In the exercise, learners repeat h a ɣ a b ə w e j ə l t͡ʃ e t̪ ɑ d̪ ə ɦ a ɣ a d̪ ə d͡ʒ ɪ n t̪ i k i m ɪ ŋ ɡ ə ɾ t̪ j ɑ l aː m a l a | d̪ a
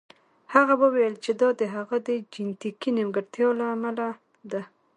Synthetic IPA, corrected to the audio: h a ɣ a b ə w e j ə l t͡ʃ e d̪ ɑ d̪ ə ɦ a ɣ a d̪ ə d͡ʒ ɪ n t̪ i k i n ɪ m ɡ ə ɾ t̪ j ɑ l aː m a l a | d̪ a